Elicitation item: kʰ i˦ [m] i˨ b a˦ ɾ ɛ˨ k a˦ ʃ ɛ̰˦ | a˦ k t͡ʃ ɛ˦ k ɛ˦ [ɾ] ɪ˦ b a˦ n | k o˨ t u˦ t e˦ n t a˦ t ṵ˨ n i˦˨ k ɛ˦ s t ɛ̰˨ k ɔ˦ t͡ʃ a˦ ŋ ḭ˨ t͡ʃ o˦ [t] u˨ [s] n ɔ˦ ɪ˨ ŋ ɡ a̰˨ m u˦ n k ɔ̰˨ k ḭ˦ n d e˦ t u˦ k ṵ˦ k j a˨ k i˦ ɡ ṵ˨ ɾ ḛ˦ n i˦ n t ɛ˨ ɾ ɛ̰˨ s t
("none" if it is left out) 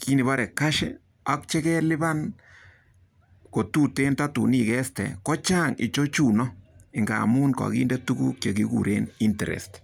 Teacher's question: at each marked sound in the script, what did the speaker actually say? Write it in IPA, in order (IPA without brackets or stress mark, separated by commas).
n, l, t͡ʃ, none